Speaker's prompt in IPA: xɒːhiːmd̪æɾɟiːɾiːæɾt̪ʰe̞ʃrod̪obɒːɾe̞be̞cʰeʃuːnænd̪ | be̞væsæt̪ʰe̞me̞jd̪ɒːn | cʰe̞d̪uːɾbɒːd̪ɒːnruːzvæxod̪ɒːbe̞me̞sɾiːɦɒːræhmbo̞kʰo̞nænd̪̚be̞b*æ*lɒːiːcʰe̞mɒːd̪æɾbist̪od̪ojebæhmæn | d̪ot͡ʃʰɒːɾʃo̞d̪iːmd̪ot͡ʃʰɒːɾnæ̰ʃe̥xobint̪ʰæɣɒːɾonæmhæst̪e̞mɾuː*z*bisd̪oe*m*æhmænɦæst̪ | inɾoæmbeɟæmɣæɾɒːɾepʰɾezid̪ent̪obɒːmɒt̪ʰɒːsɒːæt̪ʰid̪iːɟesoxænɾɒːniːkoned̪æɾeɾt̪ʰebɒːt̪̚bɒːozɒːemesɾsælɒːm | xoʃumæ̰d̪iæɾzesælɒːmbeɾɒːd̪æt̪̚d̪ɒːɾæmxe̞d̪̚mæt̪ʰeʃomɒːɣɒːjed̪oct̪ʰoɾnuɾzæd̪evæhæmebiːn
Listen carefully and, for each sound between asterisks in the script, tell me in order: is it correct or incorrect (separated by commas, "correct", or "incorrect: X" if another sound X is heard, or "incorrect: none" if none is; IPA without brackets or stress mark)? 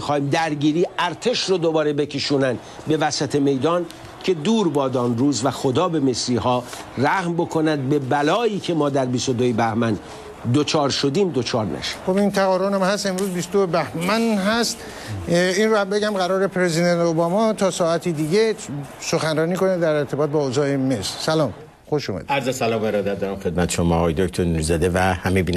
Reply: correct, correct, incorrect: b